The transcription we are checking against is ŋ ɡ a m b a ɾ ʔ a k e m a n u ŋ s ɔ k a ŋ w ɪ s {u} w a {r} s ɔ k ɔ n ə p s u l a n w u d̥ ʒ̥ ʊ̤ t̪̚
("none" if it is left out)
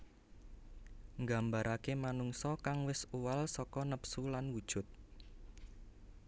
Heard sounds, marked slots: u, l

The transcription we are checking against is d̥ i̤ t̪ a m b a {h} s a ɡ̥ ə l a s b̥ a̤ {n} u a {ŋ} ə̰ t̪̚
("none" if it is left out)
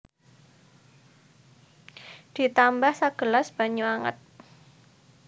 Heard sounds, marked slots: h, ɲ, ŋ

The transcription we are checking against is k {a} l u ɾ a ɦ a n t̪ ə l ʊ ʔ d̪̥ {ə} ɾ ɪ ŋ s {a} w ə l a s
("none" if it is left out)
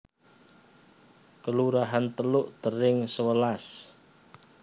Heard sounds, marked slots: ə, ə, ə

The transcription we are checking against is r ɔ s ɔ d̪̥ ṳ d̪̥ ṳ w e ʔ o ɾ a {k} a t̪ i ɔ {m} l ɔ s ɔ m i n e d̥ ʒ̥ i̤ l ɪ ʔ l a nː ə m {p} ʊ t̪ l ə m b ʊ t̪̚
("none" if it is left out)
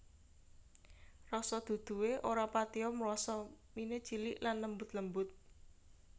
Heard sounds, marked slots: p, m, b

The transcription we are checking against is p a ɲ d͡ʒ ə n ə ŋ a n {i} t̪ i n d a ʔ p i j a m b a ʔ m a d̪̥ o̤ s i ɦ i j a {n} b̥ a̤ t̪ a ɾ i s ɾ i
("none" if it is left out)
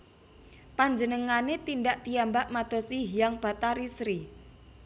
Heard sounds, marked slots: e, ŋ

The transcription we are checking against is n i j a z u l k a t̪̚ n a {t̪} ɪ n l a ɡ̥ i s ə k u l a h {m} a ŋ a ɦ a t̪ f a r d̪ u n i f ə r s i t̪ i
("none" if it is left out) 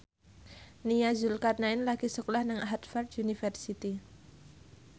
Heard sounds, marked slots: none, n

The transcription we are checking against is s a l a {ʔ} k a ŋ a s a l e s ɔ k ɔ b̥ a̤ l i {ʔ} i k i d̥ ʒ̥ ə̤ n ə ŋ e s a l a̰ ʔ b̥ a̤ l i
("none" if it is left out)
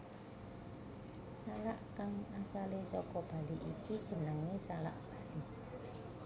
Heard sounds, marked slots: ʔ, ʔ

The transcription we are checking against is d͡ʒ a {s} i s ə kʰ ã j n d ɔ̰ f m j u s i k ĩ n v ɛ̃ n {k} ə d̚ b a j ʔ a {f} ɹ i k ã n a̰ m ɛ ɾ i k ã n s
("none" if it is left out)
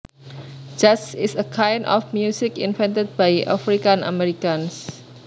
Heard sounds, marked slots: s, t, f

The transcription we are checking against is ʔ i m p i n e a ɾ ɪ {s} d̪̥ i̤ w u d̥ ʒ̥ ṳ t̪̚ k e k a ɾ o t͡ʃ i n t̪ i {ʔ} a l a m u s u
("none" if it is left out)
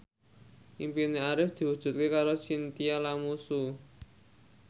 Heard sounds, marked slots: f, none

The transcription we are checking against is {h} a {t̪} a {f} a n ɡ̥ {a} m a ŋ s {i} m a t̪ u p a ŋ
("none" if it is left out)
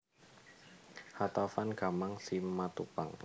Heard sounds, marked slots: h, t̪, f, a, i

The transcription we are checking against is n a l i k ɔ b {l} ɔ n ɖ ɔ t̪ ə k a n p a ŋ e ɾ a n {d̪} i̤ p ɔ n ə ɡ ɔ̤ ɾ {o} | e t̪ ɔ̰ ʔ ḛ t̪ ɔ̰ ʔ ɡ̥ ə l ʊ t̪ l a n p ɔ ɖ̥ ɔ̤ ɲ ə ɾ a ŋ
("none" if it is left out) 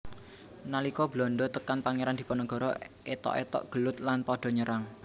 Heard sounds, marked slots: l, d̪, ɔ

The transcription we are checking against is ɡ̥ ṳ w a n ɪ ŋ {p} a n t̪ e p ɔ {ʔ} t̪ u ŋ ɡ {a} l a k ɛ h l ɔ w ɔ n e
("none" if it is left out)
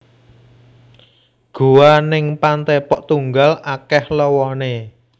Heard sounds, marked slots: p, ʔ, a

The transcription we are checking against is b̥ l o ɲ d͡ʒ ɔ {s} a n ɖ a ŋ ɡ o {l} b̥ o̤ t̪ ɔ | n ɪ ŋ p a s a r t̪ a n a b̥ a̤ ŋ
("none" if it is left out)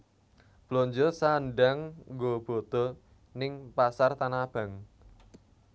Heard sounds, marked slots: s, none

